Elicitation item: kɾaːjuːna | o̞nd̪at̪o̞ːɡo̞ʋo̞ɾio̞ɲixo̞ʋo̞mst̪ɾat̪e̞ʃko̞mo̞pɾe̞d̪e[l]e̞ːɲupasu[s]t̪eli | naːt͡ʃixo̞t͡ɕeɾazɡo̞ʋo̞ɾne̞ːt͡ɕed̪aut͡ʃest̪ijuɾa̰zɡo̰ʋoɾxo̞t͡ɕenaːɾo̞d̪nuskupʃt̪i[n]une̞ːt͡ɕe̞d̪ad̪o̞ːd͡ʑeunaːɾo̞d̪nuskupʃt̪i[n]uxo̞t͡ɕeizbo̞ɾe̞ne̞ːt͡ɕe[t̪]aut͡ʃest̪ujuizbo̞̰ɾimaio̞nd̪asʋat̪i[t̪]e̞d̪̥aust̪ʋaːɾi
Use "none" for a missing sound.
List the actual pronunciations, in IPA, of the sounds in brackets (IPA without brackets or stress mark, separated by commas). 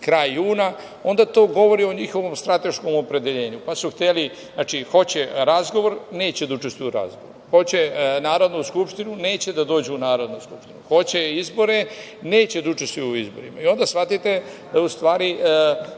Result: ʎ, x, n, n, d̪, t̪